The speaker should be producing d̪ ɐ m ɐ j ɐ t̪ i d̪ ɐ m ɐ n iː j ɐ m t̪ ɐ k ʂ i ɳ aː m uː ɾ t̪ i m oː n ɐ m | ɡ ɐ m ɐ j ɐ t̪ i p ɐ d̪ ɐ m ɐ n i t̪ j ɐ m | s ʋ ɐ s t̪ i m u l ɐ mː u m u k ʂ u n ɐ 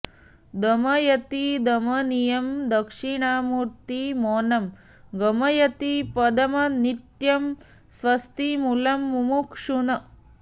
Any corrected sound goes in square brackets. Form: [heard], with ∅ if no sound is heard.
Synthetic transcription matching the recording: d̪ ɐ m ɐ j ɐ t̪ i d̪ ɐ m ɐ n [i] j ɐ m [d̪] ɐ k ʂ i ɳ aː m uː ɾ t̪ i m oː n ɐ m | ɡ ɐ m ɐ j ɐ t̪ i p ɐ d̪ ɐ m ɐ n i t̪ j ɐ m | s ʋ ɐ s t̪ i m u l ɐ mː u m u k ʂ u n ɐ